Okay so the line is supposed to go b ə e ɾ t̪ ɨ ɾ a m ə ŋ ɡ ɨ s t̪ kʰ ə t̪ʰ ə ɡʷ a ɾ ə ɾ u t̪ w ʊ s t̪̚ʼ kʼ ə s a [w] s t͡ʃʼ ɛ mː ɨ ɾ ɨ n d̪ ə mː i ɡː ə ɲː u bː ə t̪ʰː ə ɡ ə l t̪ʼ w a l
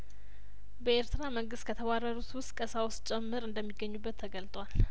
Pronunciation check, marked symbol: correct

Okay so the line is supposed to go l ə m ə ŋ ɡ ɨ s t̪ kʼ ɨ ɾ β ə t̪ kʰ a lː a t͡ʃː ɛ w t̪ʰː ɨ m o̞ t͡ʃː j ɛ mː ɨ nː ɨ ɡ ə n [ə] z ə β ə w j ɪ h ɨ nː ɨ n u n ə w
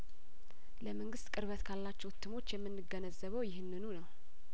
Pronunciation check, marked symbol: correct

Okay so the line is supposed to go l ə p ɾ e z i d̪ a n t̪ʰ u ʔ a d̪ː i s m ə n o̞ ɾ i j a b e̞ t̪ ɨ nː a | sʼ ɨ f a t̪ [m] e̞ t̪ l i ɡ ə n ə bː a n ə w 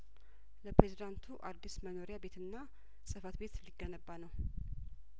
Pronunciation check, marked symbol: incorrect: b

